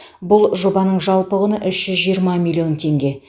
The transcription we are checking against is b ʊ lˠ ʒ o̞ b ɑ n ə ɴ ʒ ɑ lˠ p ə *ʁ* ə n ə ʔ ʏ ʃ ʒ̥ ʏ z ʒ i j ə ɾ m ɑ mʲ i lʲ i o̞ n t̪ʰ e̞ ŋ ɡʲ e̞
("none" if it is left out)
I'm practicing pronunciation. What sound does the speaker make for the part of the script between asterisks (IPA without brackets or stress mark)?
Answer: ʁ